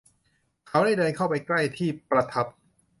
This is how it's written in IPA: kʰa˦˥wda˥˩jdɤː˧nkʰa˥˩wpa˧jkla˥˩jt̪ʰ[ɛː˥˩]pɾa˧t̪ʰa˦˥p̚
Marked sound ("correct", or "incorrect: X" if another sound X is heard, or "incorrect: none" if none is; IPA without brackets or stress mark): incorrect: iː˥˩